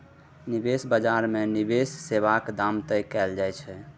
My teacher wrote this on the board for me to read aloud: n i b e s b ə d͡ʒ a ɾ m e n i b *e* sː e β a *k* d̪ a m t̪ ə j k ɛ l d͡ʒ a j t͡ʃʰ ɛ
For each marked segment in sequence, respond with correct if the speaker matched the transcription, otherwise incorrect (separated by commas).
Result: correct, correct